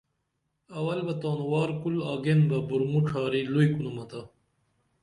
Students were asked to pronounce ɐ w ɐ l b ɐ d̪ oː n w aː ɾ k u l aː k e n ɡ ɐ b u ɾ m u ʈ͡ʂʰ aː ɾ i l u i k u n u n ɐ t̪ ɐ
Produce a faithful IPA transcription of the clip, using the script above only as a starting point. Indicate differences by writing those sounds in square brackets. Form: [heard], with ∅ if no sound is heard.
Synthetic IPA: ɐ w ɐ l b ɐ [t̪] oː n w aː ɾ k u l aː [ɡ] e n [b] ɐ b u ɾ m u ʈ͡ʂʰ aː ɾ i l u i k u n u [m] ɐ t̪ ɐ